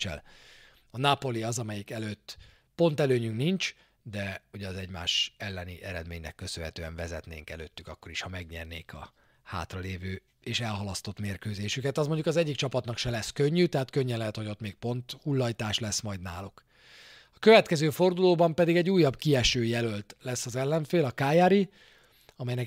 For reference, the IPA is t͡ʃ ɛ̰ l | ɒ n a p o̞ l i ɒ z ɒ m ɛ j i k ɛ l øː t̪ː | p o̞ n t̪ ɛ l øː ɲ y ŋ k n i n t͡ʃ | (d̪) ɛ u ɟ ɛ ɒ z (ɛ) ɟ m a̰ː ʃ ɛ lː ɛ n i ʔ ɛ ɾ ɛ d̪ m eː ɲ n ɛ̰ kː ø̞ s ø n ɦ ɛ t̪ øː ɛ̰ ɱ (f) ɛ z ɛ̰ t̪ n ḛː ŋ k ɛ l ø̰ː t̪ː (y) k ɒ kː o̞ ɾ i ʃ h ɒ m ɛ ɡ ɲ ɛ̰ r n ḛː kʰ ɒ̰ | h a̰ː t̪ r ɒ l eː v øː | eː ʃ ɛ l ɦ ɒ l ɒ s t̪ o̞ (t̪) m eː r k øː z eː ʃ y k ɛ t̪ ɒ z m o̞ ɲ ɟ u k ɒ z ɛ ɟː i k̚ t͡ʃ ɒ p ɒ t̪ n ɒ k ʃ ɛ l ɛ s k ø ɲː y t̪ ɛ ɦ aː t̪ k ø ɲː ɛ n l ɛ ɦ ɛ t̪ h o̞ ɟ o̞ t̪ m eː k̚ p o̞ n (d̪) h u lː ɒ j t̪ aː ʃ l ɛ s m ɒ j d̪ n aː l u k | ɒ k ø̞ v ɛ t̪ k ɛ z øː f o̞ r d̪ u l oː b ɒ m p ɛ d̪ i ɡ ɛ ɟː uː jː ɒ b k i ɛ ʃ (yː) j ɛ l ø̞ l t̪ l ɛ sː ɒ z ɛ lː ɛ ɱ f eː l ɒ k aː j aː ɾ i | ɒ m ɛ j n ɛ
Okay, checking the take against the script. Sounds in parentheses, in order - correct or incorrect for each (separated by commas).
correct, correct, incorrect, correct, correct, incorrect, incorrect